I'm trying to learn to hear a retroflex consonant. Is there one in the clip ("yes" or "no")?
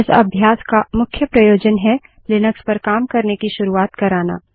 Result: no